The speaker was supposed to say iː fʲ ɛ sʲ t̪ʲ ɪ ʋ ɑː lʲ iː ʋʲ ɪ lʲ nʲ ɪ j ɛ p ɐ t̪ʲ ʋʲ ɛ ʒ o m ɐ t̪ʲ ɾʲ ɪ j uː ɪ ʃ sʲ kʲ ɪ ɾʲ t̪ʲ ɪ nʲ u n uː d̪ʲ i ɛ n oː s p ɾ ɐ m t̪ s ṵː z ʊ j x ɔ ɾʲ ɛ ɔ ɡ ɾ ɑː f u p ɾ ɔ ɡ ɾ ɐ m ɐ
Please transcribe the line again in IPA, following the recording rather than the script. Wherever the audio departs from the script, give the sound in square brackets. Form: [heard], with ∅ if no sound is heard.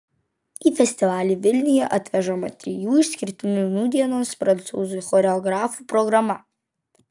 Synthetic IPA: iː fʲ ɛ sʲ t̪ʲ ɪ ʋ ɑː lʲ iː ʋʲ ɪ lʲ nʲ ɪ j ɛ [ʔ] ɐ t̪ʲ ʋʲ ɛ ʒ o m ɐ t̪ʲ ɾʲ ɪ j uː ɪ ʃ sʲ kʲ ɪ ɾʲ t̪ʲ ɪ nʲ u n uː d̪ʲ i ɛ n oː s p ɾ ɐ [n] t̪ s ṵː z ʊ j x ɔ ɾʲ ɛ ɔ ɡ ɾ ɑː f u p ɾ ɔ ɡ ɾ ɐ m ɐ